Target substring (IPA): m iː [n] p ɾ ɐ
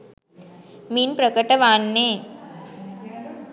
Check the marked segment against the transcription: correct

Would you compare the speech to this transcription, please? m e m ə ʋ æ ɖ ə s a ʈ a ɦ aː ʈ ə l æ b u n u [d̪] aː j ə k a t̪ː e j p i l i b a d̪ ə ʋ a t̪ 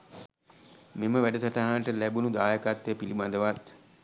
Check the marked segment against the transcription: correct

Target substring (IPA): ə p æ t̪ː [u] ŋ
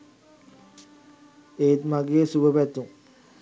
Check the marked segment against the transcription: correct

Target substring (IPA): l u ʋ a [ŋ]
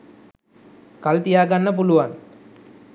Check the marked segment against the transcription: incorrect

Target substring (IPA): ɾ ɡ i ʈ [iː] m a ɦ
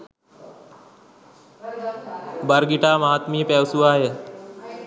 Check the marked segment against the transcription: incorrect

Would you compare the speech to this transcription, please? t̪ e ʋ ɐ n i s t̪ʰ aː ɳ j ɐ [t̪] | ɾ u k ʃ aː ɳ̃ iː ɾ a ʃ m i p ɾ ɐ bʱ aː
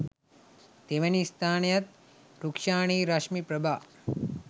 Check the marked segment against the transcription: correct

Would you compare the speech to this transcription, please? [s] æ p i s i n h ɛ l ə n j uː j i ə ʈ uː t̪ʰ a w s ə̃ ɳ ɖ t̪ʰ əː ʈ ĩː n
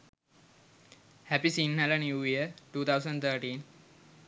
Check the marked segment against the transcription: incorrect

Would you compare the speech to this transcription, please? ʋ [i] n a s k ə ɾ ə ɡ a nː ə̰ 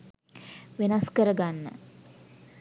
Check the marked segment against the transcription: incorrect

